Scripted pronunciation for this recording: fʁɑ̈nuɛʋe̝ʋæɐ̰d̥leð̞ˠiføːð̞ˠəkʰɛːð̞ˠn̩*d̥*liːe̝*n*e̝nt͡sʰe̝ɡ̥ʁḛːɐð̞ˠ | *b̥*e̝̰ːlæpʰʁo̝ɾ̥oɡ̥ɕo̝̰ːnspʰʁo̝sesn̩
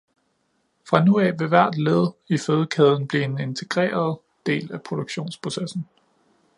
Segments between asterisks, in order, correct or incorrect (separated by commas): incorrect, correct, incorrect